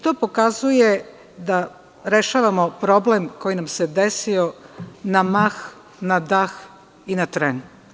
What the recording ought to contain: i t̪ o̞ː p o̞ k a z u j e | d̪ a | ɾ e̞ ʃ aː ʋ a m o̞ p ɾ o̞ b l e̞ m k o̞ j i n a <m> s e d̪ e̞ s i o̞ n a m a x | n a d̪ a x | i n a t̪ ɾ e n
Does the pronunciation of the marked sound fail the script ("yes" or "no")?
no